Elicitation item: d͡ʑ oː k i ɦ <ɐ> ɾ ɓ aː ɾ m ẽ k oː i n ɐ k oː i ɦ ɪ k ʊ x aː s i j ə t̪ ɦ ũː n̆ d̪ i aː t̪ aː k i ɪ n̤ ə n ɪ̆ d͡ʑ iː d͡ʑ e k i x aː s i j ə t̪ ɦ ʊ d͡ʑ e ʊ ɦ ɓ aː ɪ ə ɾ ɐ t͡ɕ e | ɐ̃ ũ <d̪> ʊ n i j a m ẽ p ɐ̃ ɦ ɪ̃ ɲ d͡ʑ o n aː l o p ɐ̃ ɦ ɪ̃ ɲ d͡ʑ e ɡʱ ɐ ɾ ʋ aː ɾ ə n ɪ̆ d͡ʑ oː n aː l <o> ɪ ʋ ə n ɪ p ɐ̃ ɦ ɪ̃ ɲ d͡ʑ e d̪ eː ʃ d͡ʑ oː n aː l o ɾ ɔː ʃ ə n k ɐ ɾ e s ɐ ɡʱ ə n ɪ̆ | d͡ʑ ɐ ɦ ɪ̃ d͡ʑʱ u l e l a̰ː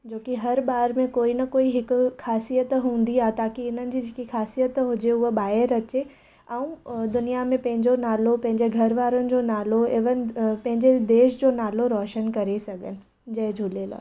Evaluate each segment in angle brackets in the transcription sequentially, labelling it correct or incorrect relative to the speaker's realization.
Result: correct, correct, correct

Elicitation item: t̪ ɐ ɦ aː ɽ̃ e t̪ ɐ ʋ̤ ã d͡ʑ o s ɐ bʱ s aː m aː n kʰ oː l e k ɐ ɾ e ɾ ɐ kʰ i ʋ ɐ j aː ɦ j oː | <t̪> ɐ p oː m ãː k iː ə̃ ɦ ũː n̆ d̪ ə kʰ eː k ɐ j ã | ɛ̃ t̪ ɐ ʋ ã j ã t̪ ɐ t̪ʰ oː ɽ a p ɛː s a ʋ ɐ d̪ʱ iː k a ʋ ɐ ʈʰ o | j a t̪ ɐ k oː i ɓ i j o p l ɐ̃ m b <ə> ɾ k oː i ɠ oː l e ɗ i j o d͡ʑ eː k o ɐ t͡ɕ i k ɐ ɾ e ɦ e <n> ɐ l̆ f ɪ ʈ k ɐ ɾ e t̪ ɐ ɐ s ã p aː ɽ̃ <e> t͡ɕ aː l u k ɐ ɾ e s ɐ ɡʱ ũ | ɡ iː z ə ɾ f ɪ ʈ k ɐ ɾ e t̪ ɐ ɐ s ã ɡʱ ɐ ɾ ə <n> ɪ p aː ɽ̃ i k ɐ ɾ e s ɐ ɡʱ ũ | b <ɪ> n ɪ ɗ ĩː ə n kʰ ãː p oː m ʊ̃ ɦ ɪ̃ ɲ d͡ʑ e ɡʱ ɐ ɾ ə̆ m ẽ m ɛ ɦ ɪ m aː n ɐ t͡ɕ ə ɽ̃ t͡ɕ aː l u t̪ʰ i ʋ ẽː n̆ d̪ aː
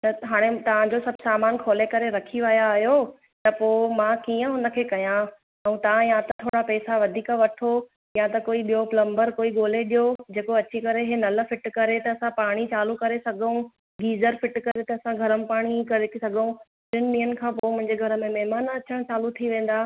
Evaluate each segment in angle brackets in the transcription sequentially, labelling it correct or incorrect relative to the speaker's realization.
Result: correct, correct, correct, incorrect: i, incorrect: m, correct

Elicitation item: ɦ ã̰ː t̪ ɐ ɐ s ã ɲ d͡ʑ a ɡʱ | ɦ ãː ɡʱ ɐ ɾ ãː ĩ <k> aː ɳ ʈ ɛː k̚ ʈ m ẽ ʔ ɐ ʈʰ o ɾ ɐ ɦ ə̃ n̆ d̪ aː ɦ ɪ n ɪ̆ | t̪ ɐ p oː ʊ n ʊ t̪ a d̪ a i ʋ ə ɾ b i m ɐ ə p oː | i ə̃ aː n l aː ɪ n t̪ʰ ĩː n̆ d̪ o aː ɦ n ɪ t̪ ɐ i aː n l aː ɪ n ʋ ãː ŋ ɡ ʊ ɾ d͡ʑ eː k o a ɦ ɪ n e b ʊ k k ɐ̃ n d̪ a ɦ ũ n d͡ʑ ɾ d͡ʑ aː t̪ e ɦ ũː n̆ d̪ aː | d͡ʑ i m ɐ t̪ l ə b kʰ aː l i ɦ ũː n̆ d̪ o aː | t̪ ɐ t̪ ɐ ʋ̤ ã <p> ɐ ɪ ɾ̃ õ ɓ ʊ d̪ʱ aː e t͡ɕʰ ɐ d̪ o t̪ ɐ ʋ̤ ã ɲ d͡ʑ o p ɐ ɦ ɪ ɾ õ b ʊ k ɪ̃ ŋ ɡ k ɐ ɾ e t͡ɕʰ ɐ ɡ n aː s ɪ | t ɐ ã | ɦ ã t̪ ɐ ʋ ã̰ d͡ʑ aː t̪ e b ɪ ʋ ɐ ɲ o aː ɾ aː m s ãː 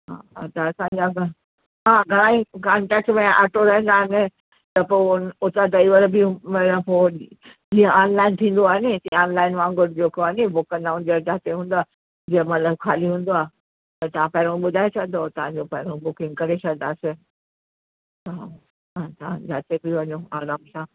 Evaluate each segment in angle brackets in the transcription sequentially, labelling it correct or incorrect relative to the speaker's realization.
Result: correct, correct

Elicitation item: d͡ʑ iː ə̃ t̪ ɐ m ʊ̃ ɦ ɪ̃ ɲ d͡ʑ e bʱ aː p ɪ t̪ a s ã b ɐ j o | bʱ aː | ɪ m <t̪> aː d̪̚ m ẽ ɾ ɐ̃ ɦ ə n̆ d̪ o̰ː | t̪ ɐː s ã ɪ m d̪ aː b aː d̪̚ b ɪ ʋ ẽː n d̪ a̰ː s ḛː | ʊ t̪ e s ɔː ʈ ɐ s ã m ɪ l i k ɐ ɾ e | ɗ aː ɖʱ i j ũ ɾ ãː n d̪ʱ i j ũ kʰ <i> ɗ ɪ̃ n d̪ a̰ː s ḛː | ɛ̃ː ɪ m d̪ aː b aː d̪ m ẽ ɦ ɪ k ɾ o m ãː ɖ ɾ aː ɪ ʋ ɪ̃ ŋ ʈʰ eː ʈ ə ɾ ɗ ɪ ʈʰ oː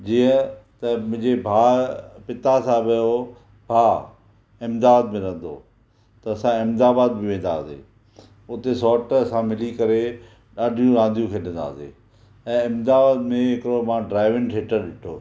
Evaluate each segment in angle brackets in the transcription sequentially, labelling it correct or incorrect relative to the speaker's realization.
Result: incorrect: d̪, incorrect: e

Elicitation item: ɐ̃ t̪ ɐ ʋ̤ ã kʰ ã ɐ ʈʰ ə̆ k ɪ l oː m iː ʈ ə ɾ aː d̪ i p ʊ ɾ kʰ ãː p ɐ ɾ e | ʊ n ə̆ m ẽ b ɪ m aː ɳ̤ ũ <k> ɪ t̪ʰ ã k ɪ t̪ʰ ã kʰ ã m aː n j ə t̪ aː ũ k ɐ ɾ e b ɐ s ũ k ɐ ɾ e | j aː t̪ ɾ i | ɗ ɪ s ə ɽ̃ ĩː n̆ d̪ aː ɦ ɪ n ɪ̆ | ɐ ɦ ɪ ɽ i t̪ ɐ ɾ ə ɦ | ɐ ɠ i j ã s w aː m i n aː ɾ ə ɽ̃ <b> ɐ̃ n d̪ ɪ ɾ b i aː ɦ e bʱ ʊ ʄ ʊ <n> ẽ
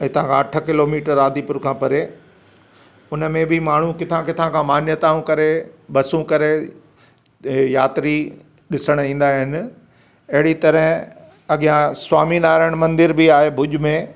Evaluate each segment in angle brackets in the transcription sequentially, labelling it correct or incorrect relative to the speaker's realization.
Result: correct, incorrect: m, incorrect: m

